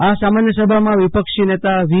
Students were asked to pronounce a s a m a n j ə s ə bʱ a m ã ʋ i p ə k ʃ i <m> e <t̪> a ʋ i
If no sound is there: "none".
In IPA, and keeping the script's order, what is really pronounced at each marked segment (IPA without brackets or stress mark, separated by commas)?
n, t̪